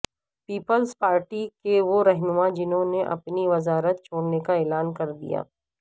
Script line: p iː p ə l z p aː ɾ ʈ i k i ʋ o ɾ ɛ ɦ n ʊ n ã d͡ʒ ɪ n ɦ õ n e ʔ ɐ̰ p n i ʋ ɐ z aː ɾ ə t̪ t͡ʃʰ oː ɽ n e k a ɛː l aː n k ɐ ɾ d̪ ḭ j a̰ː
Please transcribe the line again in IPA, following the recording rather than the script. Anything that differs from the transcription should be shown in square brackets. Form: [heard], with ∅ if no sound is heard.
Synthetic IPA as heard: p iː p ə l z p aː ɾ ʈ i k [e] ʋ o ɾ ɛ ɦ n ʊ [m] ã d͡ʒ ɪ n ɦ õ n e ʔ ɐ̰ p n i ʋ ɐ z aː ɾ ə t̪ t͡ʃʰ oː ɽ n e k a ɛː l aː n k ɐ ɾ d̪ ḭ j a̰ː